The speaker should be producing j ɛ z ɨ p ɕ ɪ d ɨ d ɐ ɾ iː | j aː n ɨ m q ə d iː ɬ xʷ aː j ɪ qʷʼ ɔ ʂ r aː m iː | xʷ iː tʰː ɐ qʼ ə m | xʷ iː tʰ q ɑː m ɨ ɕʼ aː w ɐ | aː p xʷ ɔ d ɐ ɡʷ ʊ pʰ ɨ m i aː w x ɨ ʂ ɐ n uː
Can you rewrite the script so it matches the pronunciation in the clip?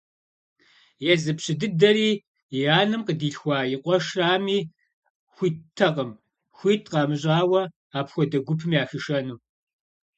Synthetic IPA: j ɛ z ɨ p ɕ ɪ d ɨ d ɐ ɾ iː | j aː n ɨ m q ə d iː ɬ xʷ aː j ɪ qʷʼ ɔ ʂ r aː m iː | xʷ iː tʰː ɐ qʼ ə m | xʷ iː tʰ q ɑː m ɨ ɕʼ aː w ɐ | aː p xʷ ɔ d ɐ ɡʷ ʊ pʰ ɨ m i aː x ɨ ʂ ɐ n uː